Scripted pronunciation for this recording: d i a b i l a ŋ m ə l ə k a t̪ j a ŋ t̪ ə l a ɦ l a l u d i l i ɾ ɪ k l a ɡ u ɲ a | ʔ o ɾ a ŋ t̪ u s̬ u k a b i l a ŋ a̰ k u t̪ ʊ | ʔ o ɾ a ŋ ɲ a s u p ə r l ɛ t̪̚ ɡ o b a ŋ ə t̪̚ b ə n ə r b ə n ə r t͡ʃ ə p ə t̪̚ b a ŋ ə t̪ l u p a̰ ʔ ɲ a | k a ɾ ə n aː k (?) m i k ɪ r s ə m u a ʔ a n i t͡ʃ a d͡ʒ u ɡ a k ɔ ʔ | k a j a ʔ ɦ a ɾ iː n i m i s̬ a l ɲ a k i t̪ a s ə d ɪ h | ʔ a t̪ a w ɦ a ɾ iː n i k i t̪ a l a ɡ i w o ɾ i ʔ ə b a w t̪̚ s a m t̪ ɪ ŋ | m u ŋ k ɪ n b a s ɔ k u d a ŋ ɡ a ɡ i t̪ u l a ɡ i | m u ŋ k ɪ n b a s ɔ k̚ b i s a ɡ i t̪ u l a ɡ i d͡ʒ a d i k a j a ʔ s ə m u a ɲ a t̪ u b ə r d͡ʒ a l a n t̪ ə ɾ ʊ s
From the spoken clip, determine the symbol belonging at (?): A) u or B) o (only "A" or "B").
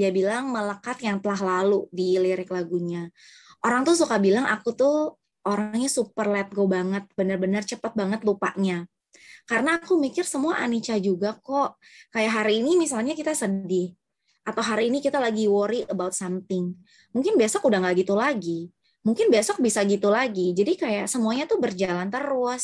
A